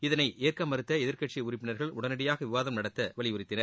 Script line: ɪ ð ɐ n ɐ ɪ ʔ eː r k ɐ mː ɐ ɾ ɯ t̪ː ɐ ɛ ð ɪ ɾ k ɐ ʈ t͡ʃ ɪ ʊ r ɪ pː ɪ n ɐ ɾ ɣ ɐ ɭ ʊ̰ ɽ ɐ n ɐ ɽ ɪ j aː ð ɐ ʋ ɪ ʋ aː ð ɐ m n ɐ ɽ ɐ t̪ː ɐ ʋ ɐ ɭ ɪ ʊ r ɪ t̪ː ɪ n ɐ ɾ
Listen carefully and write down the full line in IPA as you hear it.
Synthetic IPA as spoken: ɪ ð ɐ n ɐ ɪ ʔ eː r k ɐ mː ɐ ɾ ɯ t̪ː ɐ ɛ ð ɪ ɾ k ɐ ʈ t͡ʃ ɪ ʊ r ɪ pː ɪ n ɐ ɾ ɣ ɐ ɭ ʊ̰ ɽ ɐ n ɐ ɽ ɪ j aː ɣ ɐ ʋ ɪ ʋ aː ð ɐ m n ɐ ɽ ɐ t̪ː ɐ ʋ ɐ ɭ ɪ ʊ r ɪ t̪ː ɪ n ɐ ɾ